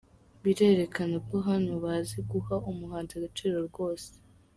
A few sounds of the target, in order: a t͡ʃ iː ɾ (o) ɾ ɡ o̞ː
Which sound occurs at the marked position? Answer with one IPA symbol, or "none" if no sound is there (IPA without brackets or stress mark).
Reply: o